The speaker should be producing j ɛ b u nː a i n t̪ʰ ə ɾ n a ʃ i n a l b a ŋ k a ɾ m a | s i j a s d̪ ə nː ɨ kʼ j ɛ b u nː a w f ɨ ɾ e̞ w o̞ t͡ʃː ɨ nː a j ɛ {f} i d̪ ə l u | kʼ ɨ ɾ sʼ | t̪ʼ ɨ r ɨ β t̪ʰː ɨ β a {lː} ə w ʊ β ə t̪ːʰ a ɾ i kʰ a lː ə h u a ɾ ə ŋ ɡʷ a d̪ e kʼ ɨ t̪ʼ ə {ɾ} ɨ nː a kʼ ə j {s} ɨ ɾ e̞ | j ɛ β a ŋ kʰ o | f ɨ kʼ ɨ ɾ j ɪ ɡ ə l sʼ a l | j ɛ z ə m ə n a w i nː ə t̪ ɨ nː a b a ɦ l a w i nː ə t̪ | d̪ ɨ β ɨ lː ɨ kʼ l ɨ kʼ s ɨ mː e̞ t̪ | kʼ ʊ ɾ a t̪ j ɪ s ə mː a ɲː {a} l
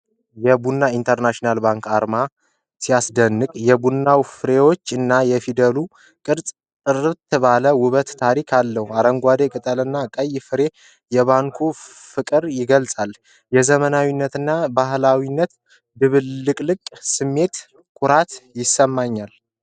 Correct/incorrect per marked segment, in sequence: correct, incorrect, incorrect, incorrect, correct

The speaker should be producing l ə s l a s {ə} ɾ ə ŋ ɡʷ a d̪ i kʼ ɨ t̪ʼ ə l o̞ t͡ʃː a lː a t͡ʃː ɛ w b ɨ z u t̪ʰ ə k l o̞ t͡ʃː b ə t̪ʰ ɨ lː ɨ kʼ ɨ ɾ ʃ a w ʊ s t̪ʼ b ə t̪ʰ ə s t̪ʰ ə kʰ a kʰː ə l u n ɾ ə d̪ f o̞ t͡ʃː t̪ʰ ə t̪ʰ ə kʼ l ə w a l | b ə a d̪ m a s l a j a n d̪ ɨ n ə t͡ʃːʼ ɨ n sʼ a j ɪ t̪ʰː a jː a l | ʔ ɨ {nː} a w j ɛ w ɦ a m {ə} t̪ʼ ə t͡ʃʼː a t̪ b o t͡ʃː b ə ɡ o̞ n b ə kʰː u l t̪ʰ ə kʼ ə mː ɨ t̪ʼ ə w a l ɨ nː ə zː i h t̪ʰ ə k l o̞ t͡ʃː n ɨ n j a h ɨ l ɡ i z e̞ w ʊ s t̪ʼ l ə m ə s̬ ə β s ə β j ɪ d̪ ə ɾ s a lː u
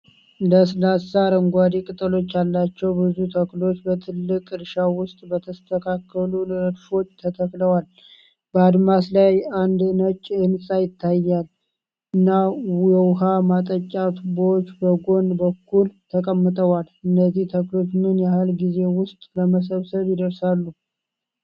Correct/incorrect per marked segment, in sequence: incorrect, correct, incorrect

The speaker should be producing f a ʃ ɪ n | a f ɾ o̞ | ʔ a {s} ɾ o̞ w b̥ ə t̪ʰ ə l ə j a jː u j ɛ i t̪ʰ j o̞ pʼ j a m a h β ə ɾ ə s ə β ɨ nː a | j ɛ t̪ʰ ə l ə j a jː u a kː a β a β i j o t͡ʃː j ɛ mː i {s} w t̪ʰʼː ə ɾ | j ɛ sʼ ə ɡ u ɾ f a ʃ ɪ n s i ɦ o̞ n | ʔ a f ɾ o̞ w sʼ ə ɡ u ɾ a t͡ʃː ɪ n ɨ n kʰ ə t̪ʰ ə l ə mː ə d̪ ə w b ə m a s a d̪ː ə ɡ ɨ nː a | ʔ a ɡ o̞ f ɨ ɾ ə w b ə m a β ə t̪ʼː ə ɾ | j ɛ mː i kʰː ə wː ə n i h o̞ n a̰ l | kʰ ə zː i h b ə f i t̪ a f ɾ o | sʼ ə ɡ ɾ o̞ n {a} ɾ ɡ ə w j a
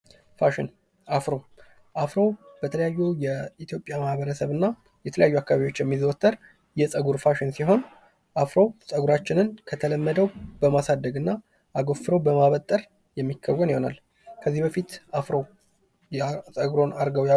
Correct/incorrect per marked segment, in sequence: incorrect, incorrect, correct

